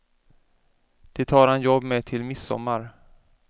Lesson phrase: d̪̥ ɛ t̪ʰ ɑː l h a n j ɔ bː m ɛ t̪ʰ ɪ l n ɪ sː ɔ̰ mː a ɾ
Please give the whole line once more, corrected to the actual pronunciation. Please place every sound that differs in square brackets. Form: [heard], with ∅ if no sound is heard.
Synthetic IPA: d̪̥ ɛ t̪ʰ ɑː [ɾ] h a n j ɔ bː m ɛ t̪ʰ ɪ l [m] ɪ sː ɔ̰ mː a ɾ